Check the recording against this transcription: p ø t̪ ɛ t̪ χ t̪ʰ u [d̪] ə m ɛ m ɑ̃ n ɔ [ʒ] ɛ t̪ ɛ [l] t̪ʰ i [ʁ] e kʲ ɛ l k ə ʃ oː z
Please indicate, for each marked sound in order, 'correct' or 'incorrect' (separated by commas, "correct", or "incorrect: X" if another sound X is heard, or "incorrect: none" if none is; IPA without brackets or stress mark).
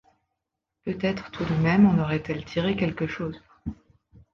correct, incorrect: ʁ, correct, correct